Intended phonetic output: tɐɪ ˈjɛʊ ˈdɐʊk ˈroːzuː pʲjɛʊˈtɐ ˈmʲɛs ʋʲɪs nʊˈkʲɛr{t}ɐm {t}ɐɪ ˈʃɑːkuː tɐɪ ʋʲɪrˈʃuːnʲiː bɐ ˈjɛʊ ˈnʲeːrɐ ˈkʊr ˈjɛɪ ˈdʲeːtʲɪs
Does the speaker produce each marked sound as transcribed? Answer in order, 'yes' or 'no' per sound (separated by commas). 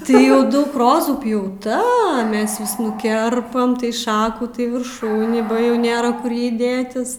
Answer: no, yes